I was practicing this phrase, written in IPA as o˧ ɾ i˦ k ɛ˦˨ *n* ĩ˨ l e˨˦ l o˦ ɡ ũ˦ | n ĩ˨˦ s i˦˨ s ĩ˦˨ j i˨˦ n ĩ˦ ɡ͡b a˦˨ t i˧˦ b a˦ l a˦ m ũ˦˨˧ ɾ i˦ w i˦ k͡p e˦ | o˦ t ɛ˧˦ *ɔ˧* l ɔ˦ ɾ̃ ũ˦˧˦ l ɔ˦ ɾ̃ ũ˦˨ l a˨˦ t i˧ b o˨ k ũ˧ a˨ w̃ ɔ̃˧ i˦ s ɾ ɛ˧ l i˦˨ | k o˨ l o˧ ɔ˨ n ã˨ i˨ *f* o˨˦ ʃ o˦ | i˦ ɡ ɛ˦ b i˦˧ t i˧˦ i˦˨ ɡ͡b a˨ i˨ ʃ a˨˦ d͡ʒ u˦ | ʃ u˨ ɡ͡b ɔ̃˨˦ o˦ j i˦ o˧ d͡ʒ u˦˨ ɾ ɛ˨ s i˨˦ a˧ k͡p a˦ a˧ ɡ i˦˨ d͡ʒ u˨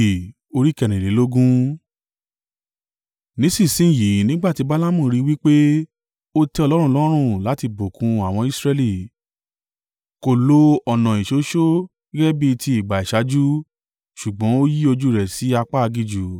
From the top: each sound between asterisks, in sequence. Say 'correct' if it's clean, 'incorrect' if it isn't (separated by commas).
correct, correct, incorrect